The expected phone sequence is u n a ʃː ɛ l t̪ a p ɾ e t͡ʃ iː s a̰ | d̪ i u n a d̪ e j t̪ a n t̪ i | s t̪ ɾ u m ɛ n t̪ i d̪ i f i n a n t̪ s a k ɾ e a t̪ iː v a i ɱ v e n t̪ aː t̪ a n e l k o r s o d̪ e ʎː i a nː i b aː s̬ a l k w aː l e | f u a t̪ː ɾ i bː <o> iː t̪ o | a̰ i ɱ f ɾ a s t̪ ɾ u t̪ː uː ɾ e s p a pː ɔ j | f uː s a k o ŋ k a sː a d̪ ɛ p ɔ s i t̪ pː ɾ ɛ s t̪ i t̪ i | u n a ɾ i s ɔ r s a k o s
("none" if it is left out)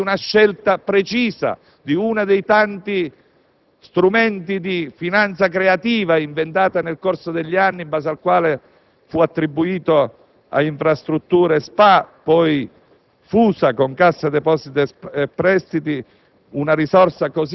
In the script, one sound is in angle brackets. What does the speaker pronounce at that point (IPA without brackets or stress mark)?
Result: u